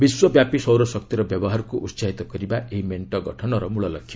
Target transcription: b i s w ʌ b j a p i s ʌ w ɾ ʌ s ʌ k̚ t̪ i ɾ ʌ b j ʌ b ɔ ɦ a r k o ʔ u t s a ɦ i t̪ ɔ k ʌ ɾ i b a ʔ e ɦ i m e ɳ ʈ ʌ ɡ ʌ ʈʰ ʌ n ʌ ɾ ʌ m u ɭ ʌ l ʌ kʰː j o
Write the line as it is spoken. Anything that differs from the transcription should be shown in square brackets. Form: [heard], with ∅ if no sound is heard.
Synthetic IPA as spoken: b i s w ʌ b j a p i s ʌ w ɾ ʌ s ʌ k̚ t̪ i ɾ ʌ b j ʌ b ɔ ɦ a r k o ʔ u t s a ɦ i t̪ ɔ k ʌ ɾ i b a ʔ e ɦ i m e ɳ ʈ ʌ ɡ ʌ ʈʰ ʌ n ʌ ɾ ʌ m u ɭ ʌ l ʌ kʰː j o